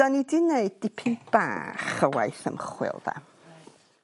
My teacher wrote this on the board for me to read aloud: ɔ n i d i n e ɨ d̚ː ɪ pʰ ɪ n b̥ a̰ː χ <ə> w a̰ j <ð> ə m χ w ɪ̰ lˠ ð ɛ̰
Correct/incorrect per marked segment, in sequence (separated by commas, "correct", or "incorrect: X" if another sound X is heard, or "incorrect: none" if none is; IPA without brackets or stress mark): correct, incorrect: θ